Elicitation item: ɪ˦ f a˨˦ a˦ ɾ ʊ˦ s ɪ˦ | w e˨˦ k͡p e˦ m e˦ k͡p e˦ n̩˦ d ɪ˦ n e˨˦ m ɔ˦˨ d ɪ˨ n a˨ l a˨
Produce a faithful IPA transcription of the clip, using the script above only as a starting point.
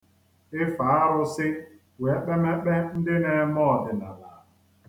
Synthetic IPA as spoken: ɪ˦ f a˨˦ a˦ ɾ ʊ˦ s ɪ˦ | w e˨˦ k͡p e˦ m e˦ k͡p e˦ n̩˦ d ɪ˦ n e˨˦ m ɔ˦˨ d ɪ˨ n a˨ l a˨